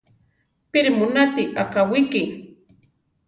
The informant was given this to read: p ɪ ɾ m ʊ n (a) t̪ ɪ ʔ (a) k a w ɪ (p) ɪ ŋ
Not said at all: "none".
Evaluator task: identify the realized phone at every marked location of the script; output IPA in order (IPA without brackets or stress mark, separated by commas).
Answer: a, a, k